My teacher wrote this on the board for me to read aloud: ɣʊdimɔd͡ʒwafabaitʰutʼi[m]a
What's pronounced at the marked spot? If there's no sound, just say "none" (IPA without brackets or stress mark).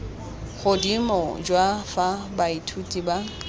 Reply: b